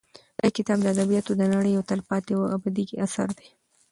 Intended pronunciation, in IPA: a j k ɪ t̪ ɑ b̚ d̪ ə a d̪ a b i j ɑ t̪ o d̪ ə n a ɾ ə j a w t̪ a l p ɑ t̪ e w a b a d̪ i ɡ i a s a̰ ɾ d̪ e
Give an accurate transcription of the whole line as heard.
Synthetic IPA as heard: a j k ɪ t̪ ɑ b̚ d̪ ə a d̪ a b i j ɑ t̪ o d̪ ə n a ɽ ə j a w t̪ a l p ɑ t̪ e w a b a d̪ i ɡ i a s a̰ ɾ d̪ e